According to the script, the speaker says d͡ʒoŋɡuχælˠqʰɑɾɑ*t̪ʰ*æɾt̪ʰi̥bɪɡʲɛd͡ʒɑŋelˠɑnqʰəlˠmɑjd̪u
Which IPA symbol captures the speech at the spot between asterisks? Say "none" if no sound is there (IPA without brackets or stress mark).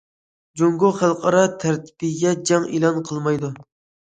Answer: t̪ʰ